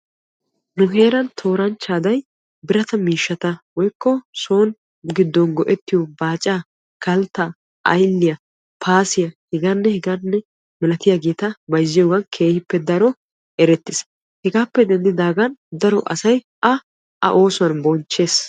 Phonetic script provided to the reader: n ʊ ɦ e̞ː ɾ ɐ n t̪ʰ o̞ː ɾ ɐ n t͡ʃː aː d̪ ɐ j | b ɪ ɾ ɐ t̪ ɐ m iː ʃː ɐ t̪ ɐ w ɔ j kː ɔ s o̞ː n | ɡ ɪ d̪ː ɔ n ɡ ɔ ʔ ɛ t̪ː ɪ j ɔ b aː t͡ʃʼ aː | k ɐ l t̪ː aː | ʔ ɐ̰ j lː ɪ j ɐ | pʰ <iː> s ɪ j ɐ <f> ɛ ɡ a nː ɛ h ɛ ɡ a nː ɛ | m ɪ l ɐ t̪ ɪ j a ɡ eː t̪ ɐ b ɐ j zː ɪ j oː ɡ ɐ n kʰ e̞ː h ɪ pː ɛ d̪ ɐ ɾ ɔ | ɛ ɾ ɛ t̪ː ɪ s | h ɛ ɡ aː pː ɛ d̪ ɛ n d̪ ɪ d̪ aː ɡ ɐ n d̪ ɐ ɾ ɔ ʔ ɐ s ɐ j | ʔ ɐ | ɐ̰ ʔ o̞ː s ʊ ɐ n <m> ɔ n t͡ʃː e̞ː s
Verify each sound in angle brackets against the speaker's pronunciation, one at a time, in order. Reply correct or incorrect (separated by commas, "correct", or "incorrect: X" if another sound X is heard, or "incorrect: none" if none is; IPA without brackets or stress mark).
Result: incorrect: aː, incorrect: h, incorrect: b